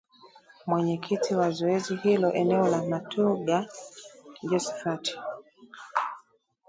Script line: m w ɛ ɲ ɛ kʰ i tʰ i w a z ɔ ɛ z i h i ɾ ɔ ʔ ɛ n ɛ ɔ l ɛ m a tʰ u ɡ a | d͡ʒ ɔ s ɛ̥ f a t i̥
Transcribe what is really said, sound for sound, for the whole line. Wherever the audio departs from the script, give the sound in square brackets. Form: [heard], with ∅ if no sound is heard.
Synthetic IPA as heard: m w ɛ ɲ ɛ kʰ i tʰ i w a z ɔ ɛ z i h i [l] ɔ ʔ ɛ n ɛ ɔ l [a] m a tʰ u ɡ a | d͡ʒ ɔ s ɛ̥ f a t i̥